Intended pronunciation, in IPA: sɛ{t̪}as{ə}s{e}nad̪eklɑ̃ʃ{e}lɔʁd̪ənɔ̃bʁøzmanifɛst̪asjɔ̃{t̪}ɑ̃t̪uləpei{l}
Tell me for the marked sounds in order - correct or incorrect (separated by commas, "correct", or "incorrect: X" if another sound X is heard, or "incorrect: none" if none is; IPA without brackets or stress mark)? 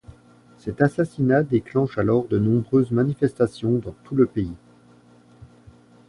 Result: correct, incorrect: a, incorrect: i, incorrect: a, incorrect: d̪, incorrect: none